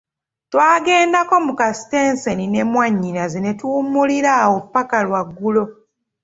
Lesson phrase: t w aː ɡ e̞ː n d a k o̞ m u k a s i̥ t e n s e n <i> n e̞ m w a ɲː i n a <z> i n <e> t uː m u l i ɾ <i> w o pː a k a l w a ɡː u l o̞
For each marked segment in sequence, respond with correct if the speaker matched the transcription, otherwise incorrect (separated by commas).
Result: correct, correct, correct, incorrect